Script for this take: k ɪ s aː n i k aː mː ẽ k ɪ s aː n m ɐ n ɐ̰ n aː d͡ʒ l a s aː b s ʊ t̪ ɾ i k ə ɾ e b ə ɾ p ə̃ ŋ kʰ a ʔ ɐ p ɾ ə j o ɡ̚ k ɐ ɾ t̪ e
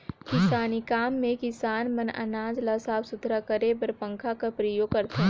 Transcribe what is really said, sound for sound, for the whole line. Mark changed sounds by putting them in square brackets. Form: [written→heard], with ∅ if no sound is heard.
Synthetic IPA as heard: k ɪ s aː n i k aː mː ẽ k ɪ s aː n m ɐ n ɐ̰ n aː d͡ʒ l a s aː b s ʊ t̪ ɾ [i→a] k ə ɾ e b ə ɾ p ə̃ ŋ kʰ a [ʔ→k] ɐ p ɾ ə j o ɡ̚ k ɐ ɾ t̪ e